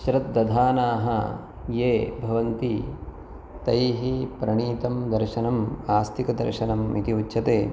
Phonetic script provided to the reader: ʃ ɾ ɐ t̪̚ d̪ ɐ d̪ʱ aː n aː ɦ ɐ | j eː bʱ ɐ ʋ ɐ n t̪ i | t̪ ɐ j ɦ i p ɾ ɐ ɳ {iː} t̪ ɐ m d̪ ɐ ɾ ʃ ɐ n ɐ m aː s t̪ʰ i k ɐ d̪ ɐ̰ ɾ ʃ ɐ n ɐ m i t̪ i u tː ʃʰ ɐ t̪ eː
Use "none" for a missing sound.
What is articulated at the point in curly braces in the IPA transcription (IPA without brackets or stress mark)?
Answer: iː